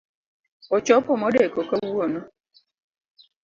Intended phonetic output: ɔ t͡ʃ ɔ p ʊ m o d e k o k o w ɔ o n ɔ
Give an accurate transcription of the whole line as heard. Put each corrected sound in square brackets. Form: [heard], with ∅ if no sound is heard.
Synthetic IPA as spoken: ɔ t͡ʃ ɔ p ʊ m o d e k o k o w [u] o n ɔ